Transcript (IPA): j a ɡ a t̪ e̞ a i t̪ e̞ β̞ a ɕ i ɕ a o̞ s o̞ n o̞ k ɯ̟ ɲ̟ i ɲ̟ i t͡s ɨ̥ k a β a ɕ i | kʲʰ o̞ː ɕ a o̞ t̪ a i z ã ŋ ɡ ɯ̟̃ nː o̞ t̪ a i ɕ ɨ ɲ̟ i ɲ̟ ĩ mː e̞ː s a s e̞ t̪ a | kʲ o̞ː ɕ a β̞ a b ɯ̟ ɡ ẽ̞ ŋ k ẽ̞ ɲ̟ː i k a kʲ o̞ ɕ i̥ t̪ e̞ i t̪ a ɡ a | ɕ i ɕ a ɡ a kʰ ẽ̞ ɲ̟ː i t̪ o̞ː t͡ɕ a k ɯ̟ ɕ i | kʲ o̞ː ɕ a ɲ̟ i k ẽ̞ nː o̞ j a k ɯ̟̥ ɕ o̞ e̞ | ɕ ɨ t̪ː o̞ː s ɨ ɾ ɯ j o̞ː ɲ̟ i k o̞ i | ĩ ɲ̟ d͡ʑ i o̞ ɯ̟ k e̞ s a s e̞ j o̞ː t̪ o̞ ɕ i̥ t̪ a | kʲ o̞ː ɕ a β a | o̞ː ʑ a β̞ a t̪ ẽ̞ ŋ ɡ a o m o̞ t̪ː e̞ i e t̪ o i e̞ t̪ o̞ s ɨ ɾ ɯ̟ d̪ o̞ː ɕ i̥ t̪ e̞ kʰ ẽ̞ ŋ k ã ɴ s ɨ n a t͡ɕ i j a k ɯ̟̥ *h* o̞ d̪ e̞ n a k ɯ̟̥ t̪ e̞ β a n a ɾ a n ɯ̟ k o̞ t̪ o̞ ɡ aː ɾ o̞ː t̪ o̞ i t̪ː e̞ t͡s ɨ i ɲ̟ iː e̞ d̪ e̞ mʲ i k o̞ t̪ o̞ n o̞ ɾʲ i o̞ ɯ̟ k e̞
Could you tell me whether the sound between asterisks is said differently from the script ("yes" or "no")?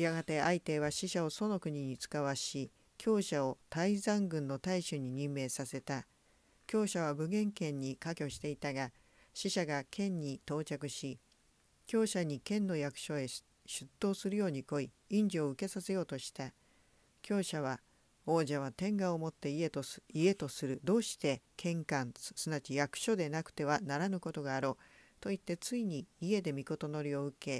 yes